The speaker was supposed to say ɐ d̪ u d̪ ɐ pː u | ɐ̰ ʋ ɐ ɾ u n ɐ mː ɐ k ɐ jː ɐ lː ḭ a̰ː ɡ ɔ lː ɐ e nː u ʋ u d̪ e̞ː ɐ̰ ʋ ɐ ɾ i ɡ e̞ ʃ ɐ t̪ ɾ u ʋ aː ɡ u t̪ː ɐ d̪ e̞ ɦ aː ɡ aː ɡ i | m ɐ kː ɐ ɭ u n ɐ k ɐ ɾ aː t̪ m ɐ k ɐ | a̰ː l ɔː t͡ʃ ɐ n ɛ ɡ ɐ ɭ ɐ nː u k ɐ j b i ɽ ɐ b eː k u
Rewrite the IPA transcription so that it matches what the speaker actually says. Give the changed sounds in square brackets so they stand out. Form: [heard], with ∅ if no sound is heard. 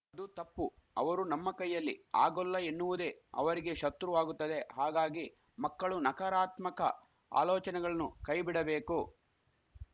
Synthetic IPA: ɐ d̪ u [t̪] ɐ pː u | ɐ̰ ʋ ɐ ɾ u n ɐ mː ɐ k ɐ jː ɐ lː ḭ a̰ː ɡ ɔ lː ɐ e nː u ʋ u d̪ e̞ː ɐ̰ ʋ ɐ ɾ i ɡ e̞ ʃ ɐ t̪ ɾ u ʋ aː ɡ u t̪ː ɐ d̪ e̞ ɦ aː ɡ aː ɡ i | m ɐ kː ɐ ɭ u n ɐ k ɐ ɾ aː t̪ m ɐ k ɐ | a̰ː l ɔː t͡ʃ ɐ n ɛ ɡ ɐ ɭ ɐ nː u k ɐ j b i ɽ ɐ b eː k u